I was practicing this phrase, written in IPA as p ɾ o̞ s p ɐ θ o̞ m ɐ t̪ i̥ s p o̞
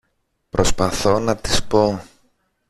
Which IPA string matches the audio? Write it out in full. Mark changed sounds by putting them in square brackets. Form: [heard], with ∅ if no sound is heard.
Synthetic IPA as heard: p ɾ o̞ s p ɐ θ o̞ [n] ɐ t̪ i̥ s p o̞